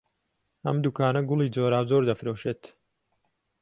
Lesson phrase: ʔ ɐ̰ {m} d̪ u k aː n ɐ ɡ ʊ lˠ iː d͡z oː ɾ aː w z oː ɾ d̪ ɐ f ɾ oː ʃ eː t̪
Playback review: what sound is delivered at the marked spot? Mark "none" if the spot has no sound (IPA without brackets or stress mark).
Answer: m